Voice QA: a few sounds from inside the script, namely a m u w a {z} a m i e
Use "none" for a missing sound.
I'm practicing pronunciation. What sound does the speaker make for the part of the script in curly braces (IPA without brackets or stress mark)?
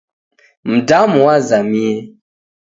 z